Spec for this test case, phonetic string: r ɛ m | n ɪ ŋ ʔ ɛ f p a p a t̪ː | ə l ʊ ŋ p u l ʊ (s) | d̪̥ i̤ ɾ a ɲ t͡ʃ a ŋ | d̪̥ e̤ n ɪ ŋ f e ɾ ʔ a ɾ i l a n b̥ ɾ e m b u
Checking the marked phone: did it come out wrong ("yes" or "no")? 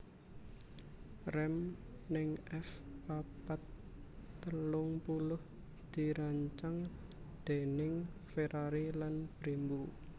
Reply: yes